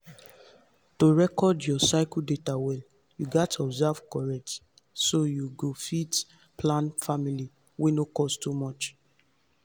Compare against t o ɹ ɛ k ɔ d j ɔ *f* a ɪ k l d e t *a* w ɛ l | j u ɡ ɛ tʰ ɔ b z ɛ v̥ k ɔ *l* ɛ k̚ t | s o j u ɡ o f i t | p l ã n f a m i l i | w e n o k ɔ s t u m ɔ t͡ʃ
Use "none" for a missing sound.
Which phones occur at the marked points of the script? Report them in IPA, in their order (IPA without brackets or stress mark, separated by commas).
s, a, ɹ